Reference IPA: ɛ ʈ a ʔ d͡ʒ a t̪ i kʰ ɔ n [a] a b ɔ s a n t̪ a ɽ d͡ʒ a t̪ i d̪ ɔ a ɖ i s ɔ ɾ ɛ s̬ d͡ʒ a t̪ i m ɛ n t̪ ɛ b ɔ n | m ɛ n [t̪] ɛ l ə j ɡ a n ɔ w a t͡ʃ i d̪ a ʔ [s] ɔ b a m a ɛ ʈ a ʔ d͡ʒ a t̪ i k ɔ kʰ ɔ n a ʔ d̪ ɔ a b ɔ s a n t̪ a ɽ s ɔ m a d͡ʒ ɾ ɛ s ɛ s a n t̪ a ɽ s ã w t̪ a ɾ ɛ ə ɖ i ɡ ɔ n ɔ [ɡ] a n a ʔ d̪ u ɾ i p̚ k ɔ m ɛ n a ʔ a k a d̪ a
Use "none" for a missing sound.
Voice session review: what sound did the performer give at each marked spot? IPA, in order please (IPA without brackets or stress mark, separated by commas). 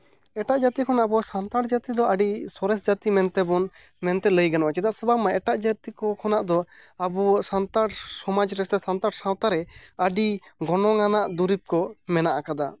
a, t̪, s, ŋ